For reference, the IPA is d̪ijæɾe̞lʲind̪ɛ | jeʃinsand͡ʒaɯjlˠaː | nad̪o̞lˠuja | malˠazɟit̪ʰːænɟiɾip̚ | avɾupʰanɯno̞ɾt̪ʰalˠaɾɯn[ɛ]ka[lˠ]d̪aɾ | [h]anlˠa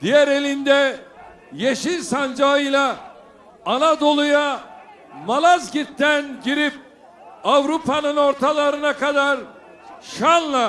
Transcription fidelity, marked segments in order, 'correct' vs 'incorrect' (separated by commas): incorrect, incorrect, incorrect